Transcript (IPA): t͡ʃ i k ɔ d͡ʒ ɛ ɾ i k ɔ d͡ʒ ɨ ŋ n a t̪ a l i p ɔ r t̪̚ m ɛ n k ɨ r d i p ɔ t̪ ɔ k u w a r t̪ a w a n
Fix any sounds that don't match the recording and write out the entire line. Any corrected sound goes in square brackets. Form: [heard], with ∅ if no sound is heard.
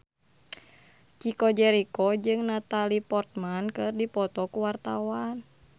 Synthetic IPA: t͡ʃ i k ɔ d͡ʒ ɛ ɾ i k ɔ d͡ʒ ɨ ŋ n a t̪ a l i p ɔ r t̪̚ m [a] n k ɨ r d i p ɔ t̪ ɔ k u w a r t̪ a w a n